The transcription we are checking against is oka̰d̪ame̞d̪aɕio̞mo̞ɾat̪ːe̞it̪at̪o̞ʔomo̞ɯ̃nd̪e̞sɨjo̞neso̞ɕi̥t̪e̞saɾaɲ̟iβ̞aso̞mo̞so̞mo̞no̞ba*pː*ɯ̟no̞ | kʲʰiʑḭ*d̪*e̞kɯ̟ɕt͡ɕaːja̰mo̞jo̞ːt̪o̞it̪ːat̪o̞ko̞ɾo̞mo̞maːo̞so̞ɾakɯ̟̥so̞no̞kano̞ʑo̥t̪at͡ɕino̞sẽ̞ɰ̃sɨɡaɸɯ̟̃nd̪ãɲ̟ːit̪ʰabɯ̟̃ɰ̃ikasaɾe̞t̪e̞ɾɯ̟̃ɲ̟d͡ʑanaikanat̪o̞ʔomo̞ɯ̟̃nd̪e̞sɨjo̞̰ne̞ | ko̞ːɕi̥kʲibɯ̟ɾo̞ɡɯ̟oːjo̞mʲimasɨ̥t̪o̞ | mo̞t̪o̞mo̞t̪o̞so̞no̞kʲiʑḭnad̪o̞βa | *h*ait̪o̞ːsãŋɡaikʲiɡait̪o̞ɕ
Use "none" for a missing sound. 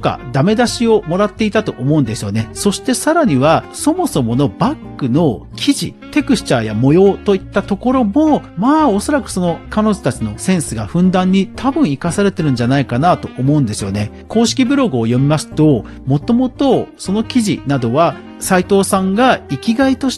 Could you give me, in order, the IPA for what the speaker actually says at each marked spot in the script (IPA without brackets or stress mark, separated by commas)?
kː, t̪, s